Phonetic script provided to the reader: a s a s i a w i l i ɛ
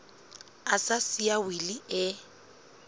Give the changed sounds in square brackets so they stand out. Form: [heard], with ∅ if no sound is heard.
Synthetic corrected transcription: a s a s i a w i l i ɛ

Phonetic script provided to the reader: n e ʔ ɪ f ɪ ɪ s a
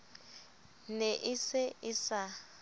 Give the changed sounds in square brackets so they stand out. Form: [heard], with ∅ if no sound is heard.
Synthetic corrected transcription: n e ʔ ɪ [s] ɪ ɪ s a

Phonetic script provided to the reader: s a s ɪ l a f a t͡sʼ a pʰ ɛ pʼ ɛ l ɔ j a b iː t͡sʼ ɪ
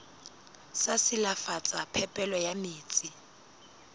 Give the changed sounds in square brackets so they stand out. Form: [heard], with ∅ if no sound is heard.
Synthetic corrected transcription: s a s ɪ l a f a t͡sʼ a pʰ ɛ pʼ ɛ l ɔ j a [m] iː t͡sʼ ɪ

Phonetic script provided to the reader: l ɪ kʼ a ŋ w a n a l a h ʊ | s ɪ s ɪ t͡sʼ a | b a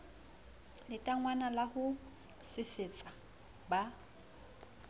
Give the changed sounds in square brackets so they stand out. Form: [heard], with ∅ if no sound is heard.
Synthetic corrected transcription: l ɪ [tʼ] a ŋ w a n a l a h ʊ | s ɪ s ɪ t͡sʼ a | b a

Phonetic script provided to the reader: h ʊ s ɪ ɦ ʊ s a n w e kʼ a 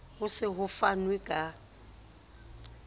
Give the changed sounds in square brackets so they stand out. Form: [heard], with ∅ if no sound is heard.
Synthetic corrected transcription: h ʊ s ɪ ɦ ʊ [f] a n w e kʼ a

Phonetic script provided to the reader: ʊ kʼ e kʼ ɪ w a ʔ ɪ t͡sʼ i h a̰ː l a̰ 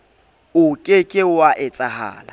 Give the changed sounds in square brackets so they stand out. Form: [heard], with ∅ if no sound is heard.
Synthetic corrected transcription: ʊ kʼ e kʼ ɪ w a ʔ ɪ t͡sʼ [a] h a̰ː l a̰

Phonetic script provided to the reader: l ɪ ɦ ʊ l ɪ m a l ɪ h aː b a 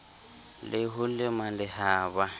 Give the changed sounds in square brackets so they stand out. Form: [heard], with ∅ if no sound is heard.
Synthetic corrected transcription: l ɪ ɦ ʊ l ɪ m a l ɪ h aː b a

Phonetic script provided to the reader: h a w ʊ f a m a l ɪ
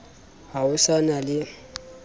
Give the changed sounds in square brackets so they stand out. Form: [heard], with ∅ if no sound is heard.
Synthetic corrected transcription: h a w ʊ [s] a [n] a l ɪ

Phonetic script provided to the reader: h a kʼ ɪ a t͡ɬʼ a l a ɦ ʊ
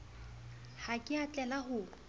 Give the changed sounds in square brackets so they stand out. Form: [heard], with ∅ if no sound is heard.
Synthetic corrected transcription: h a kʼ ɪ a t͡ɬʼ [ɛ] l a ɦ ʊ

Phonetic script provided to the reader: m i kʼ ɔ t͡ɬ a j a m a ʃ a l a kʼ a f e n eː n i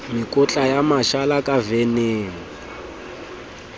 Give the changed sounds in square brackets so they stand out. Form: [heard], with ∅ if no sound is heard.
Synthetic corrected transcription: m i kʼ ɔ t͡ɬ a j a m a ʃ a l a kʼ a [v] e n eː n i

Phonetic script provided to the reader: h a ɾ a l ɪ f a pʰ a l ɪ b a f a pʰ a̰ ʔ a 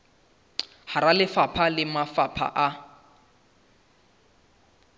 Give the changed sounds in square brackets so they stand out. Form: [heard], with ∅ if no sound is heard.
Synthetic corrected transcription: h a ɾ a l ɪ f a pʰ a l ɪ [m] a f a pʰ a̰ ʔ a

